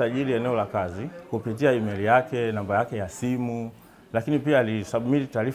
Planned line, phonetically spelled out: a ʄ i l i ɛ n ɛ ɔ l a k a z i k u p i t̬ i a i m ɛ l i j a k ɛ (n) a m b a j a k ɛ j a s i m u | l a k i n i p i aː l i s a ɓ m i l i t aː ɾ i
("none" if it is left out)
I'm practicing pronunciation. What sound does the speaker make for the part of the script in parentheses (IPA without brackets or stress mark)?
n